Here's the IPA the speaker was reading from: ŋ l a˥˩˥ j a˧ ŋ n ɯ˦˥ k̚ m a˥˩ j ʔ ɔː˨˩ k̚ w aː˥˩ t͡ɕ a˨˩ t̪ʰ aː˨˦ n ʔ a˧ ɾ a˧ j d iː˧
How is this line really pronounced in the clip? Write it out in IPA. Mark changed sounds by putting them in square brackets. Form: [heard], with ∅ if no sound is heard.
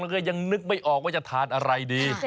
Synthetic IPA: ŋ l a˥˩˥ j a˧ ŋ n ɯ˦˥ k̚ m a˥˩ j ʔ ɔː˨˩ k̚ w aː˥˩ t͡ɕ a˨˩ t̪ʰ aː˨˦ n ʔ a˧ ɾ a˧ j d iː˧